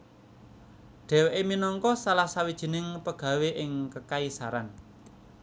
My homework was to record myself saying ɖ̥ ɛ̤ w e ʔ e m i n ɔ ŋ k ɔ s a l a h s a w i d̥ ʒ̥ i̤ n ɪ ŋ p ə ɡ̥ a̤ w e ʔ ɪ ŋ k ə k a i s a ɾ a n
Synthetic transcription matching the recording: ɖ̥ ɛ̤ w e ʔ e m i n ɔ ŋ k ɔ s a l a h s a w i d̥ ʒ̥ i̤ n ɪ ŋ p ə ɡ̥ a̤ w e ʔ ɪ ŋ k ə k a i s a ɾ a n